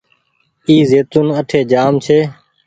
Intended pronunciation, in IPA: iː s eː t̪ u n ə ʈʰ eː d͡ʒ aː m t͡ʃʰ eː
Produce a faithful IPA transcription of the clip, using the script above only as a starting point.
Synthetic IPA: iː z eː t̪ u n ə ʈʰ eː d͡ʒ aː m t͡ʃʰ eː